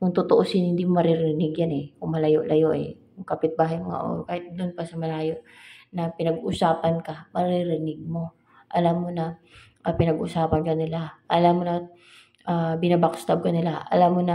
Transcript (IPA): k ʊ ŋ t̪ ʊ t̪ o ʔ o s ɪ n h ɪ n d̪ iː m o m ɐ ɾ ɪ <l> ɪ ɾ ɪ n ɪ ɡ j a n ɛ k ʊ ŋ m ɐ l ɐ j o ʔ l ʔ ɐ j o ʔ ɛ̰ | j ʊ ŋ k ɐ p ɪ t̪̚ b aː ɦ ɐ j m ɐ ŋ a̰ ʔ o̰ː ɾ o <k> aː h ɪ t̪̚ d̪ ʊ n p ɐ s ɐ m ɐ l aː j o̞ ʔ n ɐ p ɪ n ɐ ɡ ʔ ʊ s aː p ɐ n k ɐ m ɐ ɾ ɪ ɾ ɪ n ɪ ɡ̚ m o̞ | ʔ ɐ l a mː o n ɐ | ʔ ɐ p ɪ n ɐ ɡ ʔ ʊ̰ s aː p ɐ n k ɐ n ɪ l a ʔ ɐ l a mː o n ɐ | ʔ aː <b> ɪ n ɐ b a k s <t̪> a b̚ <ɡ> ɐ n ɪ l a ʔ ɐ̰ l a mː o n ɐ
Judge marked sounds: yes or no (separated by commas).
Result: no, yes, yes, yes, no